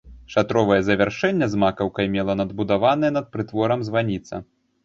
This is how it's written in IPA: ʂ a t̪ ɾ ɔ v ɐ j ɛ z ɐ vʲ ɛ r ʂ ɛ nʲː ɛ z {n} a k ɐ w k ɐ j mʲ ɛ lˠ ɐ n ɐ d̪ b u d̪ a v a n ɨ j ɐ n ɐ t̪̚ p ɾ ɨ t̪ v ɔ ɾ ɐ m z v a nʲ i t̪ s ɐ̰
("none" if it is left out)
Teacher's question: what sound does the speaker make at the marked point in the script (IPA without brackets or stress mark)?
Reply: m